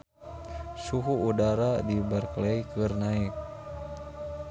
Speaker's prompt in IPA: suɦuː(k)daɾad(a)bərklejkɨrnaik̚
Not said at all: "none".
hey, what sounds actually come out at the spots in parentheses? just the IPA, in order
none, i

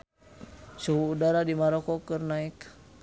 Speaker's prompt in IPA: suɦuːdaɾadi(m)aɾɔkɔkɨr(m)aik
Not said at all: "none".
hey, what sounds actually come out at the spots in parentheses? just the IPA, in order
m, n

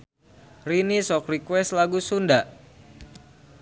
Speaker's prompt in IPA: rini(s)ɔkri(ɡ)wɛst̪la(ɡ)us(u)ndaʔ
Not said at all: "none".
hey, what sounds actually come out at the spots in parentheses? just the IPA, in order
s, k, ɡ, u

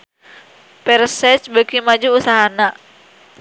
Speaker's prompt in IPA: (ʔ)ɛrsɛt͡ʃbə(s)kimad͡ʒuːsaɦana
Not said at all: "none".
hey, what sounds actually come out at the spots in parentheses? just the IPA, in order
p, none

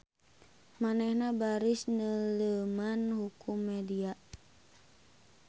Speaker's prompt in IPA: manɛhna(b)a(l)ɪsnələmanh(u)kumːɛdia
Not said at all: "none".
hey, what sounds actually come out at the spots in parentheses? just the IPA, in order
b, ɾ, u

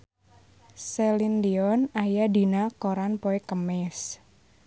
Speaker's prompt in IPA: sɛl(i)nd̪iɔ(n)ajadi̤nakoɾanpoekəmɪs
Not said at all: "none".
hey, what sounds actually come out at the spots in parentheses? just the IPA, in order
i, n

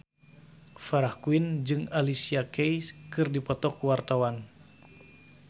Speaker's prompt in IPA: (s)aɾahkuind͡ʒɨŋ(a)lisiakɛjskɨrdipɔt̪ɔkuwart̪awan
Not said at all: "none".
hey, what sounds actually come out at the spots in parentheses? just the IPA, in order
f, a

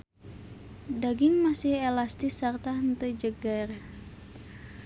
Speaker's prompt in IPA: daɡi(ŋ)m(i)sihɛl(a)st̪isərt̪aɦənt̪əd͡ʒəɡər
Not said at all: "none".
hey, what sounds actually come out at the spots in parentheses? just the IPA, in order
ŋ, a, a

